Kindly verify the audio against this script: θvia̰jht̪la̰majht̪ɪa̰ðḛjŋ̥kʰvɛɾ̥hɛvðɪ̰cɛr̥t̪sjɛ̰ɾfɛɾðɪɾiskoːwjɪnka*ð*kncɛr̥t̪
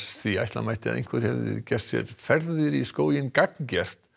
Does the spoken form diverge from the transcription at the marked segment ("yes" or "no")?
yes